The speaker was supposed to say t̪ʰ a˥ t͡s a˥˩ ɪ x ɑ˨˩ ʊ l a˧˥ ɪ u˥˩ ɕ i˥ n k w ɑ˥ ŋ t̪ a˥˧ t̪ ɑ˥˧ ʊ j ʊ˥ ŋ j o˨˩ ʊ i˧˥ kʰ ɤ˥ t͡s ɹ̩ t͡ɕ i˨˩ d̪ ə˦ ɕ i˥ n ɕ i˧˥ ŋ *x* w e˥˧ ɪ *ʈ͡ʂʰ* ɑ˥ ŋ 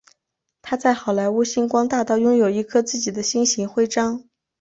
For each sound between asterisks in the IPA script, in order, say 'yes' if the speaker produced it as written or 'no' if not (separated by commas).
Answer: yes, no